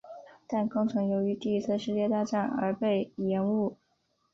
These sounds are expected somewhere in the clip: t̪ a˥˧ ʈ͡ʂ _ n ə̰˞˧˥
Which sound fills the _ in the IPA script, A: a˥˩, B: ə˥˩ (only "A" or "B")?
A